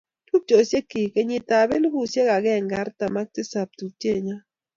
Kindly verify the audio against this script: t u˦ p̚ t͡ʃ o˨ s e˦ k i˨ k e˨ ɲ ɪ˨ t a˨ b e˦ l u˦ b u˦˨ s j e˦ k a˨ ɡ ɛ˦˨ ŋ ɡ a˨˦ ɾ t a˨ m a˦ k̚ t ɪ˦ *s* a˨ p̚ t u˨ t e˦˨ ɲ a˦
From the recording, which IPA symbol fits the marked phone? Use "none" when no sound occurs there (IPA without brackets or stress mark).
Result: s